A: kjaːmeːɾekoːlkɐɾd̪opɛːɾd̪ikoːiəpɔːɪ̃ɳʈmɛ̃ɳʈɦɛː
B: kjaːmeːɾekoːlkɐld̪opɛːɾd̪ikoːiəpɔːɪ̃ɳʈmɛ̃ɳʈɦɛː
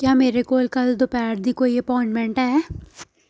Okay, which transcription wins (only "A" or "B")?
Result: B